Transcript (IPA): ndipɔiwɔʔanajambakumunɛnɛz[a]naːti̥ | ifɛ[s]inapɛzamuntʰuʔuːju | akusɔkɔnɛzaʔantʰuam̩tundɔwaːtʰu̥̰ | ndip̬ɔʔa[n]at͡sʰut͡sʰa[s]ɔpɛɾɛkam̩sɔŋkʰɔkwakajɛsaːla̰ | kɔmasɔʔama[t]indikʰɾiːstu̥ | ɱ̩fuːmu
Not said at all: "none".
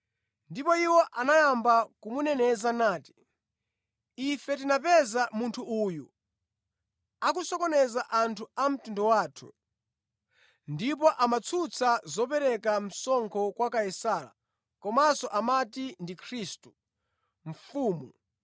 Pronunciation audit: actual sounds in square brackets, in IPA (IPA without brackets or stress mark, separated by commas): a, t, m, z, t